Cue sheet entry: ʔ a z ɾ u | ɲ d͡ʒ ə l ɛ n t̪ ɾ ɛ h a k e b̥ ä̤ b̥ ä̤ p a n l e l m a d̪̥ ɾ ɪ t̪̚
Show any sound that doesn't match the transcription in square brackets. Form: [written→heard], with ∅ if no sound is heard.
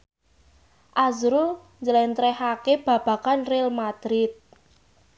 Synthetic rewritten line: ʔ a z ɾ u | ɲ d͡ʒ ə l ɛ n t̪ ɾ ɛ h a k e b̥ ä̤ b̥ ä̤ [p→k] a n [l→r] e l m a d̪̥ ɾ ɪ t̪̚